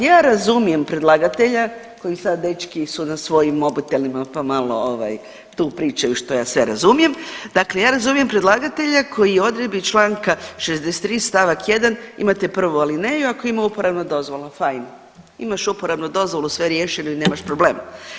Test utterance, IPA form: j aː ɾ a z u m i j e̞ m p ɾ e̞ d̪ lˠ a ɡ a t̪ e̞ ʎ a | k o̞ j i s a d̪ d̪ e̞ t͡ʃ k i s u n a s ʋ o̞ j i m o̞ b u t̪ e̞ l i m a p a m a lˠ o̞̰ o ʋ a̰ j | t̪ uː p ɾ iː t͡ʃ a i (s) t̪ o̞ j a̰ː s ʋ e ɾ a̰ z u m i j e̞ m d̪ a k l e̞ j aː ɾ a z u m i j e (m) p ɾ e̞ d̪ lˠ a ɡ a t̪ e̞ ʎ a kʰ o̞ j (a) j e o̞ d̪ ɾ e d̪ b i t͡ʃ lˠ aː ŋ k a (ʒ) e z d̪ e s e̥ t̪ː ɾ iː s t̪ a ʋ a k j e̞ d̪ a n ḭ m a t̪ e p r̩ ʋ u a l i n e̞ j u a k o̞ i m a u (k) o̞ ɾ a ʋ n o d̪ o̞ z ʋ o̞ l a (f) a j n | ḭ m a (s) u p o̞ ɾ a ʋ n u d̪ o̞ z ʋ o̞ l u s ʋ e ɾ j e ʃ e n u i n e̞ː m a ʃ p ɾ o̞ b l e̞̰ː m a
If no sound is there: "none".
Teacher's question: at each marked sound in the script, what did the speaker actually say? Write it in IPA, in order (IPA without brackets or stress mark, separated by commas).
ʃ, m, i, ʃ, p, f, ʃ